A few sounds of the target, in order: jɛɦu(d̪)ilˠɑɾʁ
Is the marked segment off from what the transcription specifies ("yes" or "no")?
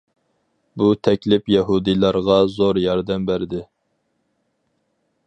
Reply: no